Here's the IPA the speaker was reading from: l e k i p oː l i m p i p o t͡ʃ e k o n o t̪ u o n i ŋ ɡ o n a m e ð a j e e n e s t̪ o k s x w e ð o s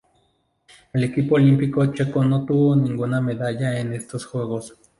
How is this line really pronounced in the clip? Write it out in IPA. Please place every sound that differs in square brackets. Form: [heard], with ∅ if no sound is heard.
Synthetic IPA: l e k i p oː l i m p i [k] o t͡ʃ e k o n o t̪ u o n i ŋ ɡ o n a m e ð a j [a] e n e s t̪ o [∅] s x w e [ɣ] o s